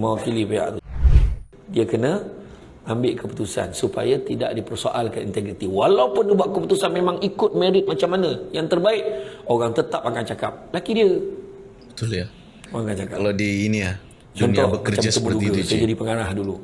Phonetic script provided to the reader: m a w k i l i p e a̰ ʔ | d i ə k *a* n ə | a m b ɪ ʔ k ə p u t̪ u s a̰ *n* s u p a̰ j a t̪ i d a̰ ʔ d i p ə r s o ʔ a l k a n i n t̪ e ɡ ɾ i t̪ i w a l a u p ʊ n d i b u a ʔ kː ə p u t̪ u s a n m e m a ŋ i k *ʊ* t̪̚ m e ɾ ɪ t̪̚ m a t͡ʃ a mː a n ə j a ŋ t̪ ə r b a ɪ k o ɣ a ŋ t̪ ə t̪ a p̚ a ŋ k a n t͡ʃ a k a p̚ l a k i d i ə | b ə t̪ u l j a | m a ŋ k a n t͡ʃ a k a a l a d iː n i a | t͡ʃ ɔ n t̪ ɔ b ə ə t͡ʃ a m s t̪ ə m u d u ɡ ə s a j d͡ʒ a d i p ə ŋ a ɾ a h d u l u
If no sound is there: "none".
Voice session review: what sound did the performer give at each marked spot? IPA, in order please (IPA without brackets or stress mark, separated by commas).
ə, n, ʊ